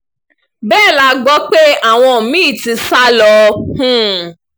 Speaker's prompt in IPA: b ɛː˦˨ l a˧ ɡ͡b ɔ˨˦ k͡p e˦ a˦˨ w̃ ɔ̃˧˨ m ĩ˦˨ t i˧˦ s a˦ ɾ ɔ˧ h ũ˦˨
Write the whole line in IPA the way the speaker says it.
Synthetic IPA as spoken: b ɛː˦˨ l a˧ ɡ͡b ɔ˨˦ k͡p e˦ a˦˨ w̃ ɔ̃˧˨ m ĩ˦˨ t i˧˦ s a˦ l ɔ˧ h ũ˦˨